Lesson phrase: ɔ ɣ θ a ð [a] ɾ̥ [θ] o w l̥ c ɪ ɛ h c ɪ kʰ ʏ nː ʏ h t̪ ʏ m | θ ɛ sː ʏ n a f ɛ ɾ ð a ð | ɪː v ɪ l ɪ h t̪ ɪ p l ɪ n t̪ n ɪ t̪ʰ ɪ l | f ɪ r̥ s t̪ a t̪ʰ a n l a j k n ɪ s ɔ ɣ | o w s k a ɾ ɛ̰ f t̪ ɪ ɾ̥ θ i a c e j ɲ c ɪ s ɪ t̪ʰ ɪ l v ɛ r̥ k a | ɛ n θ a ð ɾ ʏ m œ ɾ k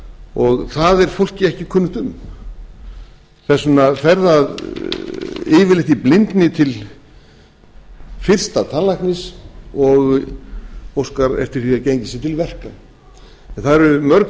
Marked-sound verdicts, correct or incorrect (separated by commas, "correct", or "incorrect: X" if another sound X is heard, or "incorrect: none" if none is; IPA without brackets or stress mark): incorrect: ɛ, incorrect: f